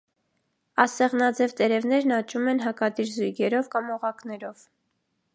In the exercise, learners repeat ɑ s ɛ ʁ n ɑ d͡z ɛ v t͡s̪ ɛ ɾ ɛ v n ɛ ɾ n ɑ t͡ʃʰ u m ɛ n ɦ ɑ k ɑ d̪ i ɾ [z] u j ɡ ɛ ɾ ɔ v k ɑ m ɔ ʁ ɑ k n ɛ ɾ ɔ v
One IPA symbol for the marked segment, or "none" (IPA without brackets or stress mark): z